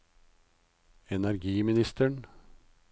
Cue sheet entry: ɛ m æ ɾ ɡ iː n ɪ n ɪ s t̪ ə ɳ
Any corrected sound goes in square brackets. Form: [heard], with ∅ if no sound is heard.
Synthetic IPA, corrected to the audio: ɛ [n] æ ɾ ɡ iː [m] ɪ n ɪ s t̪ ə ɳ